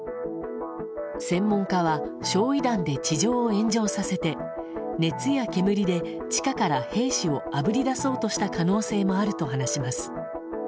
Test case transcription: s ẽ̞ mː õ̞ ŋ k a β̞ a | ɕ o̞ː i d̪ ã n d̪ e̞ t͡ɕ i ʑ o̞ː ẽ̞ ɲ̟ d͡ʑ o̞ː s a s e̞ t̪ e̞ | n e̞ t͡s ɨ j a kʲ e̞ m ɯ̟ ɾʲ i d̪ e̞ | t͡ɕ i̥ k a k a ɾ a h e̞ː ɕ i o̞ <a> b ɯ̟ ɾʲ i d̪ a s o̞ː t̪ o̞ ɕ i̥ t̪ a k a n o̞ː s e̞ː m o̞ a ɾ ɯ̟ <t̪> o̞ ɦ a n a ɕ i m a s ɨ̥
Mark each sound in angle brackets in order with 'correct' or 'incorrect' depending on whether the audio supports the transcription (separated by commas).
correct, correct